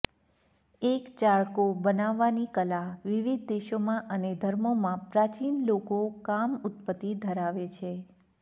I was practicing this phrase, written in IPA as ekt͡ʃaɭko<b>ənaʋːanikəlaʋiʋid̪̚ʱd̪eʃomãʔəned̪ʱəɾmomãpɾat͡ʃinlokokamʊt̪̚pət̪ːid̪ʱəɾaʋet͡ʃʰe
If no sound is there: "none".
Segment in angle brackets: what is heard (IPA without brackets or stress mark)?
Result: b